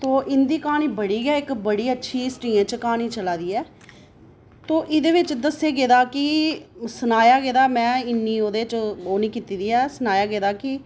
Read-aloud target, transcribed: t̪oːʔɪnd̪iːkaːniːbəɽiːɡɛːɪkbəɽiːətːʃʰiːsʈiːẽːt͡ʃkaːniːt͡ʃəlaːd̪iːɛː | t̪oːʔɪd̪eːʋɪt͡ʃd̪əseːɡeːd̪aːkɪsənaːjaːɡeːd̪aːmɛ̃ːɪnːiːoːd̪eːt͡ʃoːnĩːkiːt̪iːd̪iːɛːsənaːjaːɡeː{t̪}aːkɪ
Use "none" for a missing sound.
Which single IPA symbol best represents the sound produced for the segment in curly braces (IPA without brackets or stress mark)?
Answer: d̪